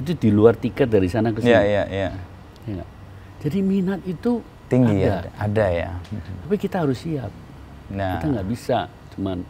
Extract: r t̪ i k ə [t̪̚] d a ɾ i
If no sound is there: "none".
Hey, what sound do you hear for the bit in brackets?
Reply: t̪̚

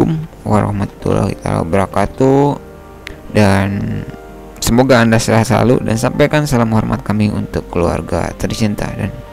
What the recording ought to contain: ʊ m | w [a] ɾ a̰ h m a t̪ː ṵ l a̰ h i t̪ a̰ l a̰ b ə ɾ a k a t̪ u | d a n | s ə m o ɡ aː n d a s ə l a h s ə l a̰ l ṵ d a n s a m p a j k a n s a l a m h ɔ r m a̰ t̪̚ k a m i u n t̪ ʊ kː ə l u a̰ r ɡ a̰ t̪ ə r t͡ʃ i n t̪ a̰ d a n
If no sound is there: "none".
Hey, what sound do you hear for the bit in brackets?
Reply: a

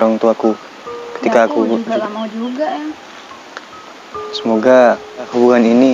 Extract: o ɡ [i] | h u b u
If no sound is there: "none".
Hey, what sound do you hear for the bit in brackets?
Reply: a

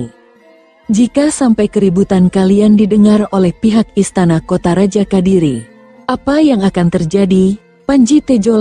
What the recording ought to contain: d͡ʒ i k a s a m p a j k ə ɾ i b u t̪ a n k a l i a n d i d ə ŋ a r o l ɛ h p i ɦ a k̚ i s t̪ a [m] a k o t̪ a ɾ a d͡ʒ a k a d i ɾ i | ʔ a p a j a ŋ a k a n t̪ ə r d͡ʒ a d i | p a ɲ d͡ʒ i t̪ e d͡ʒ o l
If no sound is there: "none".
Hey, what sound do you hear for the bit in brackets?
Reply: n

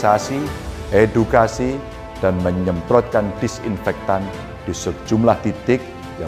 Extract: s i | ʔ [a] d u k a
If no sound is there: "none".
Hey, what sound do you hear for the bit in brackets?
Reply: e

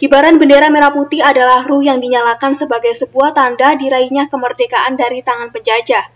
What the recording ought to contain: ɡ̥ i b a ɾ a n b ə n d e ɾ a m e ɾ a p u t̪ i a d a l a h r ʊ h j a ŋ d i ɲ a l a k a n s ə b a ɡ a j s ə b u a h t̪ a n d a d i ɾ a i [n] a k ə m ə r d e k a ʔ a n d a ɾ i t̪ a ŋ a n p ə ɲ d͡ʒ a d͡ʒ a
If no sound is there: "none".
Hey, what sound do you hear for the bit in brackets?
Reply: ɲ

